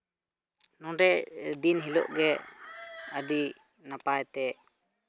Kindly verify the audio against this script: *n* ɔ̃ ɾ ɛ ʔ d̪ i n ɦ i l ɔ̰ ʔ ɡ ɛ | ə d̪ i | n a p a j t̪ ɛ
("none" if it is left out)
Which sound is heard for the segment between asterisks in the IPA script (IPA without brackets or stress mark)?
n